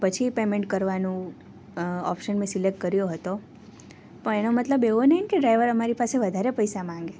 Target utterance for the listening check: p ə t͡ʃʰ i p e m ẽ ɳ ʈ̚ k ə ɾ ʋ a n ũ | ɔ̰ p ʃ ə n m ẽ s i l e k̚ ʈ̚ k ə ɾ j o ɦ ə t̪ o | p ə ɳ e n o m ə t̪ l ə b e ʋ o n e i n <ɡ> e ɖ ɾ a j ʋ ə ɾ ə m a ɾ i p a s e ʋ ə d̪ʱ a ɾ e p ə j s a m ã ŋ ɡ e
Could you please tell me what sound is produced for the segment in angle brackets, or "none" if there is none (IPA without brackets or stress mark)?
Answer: k